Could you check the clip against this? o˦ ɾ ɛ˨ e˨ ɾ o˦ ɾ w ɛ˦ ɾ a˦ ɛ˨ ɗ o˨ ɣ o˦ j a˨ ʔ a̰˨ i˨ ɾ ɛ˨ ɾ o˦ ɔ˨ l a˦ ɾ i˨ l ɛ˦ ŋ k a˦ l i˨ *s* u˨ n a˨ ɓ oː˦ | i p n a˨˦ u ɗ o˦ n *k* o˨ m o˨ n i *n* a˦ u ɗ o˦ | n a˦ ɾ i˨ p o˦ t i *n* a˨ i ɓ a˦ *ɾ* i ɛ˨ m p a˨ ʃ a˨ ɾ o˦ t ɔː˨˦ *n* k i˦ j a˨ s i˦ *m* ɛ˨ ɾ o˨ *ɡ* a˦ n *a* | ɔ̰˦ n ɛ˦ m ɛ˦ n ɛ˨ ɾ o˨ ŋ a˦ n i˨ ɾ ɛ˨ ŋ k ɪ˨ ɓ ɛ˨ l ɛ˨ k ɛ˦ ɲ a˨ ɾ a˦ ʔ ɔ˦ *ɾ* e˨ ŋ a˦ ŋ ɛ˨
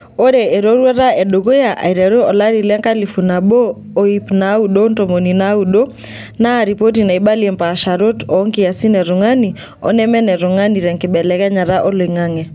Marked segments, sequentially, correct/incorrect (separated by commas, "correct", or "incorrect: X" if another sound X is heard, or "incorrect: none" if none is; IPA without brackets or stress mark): incorrect: f, incorrect: t, correct, correct, incorrect: l, incorrect: ŋ, incorrect: n, incorrect: ŋ, incorrect: i, incorrect: l